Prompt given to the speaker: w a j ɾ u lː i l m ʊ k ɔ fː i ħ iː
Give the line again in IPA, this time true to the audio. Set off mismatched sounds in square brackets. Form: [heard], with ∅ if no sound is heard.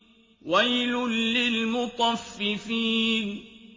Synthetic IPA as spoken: w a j [l] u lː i l m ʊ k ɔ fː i [f] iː